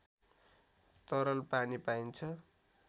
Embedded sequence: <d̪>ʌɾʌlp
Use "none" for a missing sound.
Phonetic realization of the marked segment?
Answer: t̪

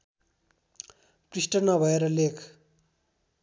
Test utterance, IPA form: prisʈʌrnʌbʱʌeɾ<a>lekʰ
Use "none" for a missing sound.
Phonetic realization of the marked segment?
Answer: ʌ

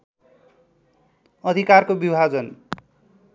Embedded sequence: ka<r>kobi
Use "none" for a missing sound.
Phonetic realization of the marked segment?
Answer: r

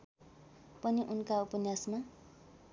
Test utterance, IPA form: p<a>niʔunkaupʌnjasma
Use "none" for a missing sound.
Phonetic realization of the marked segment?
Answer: ʌ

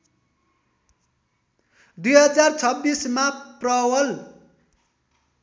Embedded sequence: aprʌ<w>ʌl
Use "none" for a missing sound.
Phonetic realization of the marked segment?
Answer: w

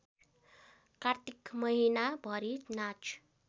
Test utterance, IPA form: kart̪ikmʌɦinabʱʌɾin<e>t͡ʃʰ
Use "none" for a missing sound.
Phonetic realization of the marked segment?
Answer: a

